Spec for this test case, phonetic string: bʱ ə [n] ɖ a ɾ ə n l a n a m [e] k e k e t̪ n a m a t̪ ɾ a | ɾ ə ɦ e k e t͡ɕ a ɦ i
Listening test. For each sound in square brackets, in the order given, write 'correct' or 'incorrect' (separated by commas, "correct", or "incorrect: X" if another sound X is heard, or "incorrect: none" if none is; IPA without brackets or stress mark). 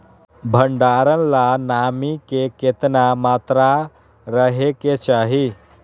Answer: incorrect: ɳ, incorrect: i